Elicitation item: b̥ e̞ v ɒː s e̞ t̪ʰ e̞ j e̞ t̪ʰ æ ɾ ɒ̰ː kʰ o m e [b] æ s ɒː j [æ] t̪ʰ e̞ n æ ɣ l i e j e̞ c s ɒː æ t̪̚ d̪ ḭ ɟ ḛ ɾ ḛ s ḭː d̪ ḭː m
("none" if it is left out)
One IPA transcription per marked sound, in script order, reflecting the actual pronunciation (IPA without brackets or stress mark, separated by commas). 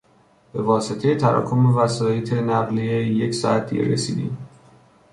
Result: v, e